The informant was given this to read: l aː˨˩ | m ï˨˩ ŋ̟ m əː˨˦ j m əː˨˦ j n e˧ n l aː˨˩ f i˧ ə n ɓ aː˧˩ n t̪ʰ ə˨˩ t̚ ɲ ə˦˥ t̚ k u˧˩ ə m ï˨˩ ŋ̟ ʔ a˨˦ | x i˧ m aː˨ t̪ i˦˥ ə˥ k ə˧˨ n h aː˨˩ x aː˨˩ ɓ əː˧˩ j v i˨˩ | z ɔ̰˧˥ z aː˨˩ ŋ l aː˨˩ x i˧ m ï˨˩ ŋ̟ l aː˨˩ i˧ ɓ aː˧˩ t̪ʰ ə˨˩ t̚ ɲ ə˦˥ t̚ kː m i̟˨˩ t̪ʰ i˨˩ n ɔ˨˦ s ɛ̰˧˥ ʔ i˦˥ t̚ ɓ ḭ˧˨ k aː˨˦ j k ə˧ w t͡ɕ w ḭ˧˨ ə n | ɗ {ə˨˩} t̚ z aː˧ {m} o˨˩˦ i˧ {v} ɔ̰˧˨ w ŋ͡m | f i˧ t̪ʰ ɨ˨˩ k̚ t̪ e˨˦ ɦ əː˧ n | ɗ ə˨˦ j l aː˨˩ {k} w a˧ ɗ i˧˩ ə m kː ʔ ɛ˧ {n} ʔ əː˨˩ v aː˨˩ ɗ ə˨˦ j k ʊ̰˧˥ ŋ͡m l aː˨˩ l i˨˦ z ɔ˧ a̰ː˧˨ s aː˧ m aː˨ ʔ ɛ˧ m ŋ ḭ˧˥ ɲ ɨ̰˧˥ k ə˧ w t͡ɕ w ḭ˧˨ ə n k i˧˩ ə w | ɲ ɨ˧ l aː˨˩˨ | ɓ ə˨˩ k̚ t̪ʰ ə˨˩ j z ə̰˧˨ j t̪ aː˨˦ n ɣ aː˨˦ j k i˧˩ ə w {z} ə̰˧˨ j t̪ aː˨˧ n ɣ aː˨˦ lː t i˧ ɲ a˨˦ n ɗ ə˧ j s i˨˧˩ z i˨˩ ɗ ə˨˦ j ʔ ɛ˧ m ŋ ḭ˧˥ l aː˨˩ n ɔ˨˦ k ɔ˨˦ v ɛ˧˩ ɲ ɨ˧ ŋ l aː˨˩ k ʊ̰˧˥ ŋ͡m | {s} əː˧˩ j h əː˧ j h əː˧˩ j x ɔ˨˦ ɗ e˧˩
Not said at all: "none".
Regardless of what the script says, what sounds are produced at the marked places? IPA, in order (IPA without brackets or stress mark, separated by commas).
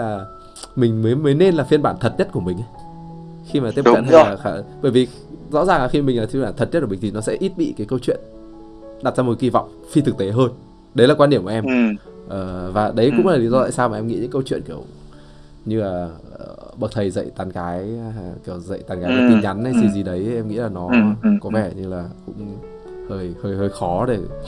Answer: a˨˩, m, v, k, m, z, h